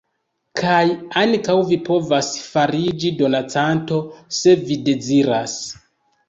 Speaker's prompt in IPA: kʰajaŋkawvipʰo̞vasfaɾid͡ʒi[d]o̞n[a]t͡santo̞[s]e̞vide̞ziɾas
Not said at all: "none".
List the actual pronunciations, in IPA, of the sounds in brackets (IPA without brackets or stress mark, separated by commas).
d, a, s